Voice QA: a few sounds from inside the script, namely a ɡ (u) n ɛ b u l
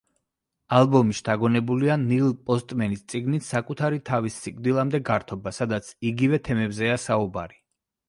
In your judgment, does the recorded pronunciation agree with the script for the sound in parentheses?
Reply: no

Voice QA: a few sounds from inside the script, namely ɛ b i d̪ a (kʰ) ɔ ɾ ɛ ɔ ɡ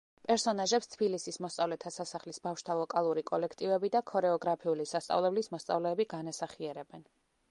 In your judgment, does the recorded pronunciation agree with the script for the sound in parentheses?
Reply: yes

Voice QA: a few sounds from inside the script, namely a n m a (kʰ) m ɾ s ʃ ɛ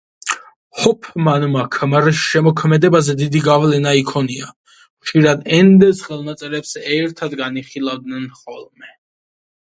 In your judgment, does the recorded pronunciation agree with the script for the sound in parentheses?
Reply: yes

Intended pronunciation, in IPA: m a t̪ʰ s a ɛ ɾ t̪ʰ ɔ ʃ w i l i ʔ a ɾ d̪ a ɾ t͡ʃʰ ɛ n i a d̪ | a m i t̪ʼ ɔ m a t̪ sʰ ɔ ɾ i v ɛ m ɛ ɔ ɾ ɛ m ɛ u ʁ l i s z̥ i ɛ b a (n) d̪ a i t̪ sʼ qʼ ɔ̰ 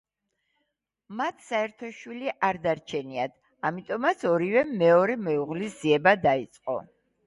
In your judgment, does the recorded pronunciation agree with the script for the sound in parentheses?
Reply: no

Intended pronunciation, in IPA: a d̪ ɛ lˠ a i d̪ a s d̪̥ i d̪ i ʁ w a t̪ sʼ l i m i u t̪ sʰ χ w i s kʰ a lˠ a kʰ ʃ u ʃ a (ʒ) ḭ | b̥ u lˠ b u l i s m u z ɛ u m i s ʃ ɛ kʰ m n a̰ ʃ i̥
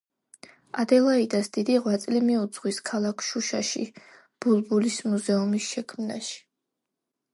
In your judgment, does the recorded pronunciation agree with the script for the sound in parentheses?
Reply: no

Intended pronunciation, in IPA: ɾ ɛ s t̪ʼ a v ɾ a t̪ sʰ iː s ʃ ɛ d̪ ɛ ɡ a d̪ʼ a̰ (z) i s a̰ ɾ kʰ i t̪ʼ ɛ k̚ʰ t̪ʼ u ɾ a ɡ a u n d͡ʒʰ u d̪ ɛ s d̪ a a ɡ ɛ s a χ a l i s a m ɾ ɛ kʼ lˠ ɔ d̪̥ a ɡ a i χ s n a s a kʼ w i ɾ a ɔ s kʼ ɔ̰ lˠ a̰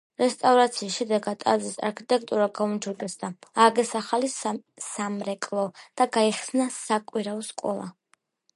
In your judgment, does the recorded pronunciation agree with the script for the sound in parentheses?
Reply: yes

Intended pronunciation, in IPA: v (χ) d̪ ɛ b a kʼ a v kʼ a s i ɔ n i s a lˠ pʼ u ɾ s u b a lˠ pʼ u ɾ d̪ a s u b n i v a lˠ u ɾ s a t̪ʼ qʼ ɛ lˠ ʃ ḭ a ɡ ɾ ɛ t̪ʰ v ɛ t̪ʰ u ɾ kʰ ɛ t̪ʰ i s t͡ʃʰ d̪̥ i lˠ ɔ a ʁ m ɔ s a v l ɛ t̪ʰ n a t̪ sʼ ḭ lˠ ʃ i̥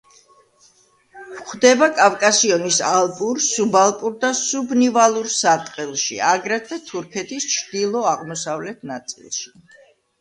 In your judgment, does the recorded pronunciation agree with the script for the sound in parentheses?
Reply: yes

